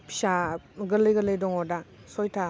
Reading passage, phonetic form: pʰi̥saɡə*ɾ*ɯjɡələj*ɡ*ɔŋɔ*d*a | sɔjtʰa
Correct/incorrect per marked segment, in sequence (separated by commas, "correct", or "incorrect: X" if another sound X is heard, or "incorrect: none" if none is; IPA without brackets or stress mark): incorrect: l, incorrect: d, correct